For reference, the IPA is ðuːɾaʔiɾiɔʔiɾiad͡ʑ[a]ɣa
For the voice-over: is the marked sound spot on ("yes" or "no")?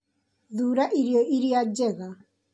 no